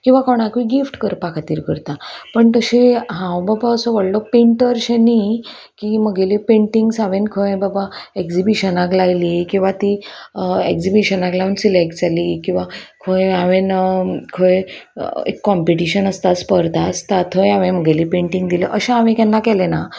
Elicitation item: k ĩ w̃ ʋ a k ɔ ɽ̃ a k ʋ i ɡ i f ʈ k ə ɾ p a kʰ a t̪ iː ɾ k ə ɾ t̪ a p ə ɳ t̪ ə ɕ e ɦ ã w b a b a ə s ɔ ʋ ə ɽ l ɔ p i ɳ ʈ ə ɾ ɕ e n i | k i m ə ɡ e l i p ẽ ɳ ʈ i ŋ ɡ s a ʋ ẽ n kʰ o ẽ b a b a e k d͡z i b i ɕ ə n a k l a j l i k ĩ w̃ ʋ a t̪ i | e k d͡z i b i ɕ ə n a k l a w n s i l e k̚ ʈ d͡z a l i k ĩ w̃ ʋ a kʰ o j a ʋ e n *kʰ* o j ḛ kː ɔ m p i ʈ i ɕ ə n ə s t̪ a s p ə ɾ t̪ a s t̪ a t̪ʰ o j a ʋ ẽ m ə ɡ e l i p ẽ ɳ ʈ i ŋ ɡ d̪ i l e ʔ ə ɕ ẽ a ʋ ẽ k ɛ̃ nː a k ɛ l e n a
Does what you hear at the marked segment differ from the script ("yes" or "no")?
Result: no